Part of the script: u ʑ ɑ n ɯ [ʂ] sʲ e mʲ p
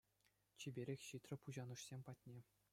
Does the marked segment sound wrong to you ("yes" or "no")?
no